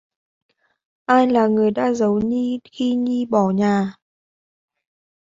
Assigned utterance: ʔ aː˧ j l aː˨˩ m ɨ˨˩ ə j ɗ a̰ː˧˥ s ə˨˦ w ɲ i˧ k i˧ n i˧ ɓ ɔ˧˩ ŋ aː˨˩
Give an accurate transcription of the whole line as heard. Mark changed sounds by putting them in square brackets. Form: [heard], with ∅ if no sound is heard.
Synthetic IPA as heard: ʔ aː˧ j l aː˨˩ [ŋ] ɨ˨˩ ə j ɗ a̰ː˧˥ [z] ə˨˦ w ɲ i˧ [x] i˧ [ɲ] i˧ ɓ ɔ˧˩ [ɲ] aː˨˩